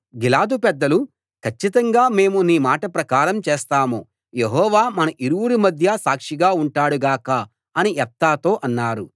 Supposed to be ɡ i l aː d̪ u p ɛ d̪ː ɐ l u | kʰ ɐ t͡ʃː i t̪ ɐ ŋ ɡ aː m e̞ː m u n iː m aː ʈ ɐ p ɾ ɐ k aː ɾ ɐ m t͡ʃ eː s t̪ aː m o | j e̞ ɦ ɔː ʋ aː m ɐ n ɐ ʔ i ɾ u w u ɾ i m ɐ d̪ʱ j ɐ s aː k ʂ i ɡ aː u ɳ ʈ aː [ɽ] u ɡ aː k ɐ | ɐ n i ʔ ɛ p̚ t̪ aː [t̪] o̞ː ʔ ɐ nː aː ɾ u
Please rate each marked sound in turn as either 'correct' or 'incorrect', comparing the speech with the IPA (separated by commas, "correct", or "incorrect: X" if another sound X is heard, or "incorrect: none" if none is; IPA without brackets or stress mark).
correct, correct